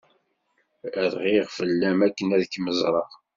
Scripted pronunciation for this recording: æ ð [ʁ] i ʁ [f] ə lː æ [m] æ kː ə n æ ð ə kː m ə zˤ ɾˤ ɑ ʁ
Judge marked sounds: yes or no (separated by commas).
yes, yes, yes